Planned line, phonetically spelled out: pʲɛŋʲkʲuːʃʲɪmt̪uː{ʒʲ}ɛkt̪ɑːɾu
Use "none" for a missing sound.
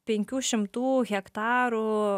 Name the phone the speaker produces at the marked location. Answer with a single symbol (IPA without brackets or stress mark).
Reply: ɣʲ